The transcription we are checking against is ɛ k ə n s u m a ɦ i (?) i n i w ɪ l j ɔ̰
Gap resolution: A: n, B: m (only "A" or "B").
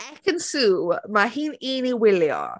A